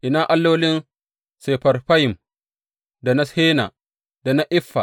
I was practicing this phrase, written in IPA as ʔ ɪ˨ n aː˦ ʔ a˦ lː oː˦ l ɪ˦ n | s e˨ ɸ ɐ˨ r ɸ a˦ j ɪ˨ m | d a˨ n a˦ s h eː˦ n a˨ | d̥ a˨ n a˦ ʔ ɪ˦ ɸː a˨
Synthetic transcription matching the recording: ʔ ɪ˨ n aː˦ ʔ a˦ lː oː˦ l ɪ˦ n | s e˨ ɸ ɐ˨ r ɸ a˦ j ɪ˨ m | d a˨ n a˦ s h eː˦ n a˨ | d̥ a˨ n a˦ ʔ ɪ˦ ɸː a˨